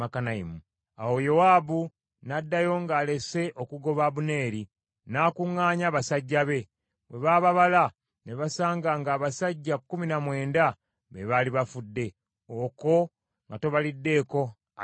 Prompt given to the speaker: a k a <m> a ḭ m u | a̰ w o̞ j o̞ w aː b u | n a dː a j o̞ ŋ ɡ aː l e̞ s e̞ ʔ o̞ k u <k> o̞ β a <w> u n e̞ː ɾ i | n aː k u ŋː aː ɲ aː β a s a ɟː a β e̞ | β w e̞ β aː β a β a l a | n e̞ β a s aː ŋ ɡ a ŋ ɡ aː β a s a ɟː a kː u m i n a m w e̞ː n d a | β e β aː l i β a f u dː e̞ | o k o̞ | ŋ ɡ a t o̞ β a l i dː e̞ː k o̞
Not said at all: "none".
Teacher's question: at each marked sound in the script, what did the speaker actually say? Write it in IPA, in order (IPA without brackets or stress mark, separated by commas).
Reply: n, ɡ, β